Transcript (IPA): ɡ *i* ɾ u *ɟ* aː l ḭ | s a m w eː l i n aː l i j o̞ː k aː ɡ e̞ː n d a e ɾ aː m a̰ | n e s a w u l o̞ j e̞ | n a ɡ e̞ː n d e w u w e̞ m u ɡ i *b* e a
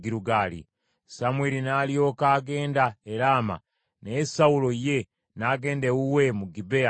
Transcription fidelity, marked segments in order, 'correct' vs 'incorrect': correct, incorrect: ɡ, correct

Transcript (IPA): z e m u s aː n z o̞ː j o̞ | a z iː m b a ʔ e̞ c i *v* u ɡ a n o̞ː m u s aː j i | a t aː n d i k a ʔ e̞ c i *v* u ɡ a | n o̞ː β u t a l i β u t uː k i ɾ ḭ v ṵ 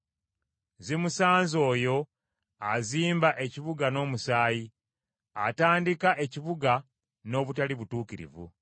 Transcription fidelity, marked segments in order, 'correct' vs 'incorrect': incorrect: β, incorrect: β

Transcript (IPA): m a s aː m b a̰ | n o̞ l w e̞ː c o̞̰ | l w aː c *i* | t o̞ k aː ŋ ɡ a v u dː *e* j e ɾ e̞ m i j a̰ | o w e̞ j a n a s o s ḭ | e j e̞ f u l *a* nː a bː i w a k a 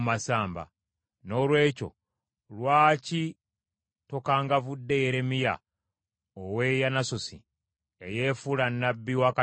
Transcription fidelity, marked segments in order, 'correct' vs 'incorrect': correct, correct, correct

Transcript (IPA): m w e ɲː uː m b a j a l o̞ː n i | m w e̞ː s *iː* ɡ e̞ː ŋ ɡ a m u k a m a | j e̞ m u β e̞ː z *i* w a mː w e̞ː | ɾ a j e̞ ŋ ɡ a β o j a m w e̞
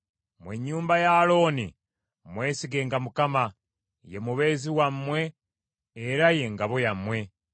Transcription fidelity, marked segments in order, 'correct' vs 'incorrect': incorrect: i, correct

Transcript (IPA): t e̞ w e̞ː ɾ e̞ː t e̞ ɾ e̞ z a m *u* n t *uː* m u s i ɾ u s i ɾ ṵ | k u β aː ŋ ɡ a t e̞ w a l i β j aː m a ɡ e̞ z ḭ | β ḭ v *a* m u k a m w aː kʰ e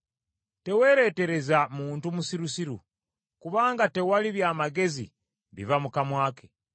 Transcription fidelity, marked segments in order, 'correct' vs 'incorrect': incorrect: uː, incorrect: u, correct

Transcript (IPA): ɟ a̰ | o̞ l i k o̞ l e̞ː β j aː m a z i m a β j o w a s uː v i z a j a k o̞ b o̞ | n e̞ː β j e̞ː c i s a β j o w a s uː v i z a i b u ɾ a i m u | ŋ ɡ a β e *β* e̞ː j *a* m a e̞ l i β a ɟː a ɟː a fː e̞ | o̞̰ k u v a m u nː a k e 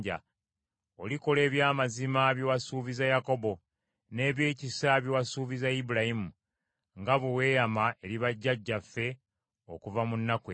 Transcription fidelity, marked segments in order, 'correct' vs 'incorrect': incorrect: w, correct

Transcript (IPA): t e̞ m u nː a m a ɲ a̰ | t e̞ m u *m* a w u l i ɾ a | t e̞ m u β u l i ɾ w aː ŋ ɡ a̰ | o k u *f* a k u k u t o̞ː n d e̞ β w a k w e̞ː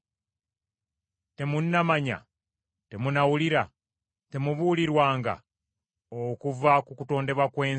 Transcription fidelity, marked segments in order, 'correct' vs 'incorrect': incorrect: n, incorrect: v

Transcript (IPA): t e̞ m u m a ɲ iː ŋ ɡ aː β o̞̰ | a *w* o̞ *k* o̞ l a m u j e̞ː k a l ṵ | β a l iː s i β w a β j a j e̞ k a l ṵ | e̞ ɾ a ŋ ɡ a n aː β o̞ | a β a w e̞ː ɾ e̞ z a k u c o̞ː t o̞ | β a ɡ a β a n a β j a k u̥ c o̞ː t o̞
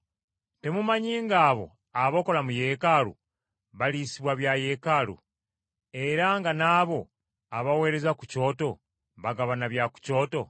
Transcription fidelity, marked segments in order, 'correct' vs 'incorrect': incorrect: β, correct

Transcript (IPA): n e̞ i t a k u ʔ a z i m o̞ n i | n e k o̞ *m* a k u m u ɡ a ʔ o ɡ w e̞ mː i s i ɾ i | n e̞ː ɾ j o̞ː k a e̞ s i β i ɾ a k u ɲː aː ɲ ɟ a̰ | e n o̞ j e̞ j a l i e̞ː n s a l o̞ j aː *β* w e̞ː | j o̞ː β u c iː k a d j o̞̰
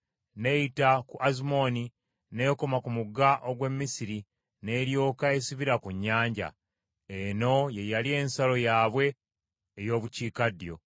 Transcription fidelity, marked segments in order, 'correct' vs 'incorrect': correct, correct

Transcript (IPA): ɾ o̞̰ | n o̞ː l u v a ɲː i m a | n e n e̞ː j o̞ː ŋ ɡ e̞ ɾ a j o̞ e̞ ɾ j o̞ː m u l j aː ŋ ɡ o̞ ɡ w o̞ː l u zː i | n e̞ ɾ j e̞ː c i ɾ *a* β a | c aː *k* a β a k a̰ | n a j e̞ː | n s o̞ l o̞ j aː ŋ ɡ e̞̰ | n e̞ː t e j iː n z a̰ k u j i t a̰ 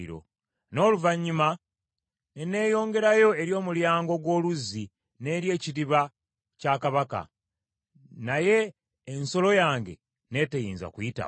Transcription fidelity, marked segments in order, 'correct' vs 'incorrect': incorrect: i, correct

